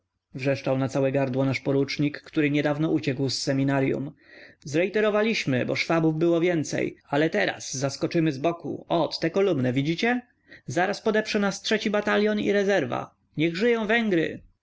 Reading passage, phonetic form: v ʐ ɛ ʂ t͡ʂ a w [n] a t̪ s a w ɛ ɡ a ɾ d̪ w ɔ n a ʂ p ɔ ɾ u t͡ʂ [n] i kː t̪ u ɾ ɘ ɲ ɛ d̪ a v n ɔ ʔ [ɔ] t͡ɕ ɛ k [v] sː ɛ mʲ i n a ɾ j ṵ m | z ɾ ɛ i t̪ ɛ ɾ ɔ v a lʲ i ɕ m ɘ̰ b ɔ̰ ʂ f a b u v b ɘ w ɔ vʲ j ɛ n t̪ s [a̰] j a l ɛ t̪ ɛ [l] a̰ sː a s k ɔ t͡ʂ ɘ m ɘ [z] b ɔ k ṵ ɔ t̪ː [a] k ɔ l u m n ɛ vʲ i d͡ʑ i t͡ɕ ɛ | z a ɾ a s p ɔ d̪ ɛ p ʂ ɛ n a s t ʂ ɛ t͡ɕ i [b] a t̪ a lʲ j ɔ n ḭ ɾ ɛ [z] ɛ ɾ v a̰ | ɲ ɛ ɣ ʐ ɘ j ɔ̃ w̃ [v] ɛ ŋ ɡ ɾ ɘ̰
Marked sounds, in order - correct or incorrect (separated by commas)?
correct, incorrect, incorrect, incorrect, incorrect, incorrect, correct, incorrect, correct, correct, correct